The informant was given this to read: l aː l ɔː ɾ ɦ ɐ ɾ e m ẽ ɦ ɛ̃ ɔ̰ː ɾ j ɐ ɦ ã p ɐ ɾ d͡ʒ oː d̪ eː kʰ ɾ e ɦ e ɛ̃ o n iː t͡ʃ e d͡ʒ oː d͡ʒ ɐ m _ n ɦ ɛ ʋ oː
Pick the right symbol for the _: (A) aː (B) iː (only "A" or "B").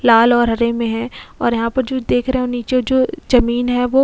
B